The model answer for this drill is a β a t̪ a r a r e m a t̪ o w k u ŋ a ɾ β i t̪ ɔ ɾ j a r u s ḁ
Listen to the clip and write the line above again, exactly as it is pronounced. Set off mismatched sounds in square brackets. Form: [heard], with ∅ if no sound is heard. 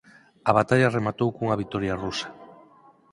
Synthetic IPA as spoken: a β a t̪ a [ʎ] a r e m a t̪ o w k u ŋ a [∅] β i t̪ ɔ ɾ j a r u s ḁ